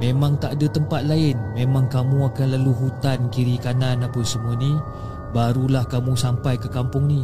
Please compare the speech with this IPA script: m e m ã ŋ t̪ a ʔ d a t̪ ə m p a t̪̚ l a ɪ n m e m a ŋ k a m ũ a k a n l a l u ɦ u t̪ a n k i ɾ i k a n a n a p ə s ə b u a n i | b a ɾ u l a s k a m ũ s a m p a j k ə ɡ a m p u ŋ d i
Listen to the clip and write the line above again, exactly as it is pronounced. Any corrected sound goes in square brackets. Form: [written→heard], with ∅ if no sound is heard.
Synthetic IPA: m e m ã ŋ t̪ a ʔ d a t̪ ə m p a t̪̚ l a ɪ n m e m a ŋ k a m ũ a k a n l a l u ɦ u t̪ a n k i ɾ i k a n a n a p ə s ə [b→m] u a n i | b a ɾ u l a [s→h] k a m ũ s a m p a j k ə [ɡ→k] a m p [u→ʊ] ŋ [d→n] i